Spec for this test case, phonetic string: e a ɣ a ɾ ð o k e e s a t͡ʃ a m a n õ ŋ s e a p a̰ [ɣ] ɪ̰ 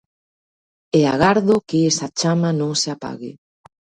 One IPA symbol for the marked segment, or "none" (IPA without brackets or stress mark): ɣ